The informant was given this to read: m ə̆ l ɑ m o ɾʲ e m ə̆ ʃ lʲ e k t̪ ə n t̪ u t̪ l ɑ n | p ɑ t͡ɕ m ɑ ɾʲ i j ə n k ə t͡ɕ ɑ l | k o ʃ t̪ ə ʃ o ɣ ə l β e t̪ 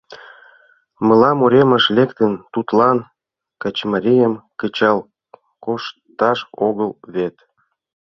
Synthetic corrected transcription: m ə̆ l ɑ m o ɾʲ e m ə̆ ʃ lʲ e k t̪ ə n t̪ u t̪ l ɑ n | k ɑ t͡ɕ m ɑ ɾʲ i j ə m k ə t͡ɕ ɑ l | k o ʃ t̪ ɑ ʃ o ɣ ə l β e t̪